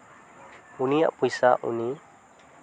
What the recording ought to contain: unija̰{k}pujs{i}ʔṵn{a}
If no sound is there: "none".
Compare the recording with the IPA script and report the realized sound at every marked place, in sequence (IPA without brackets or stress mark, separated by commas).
ʔ, a, i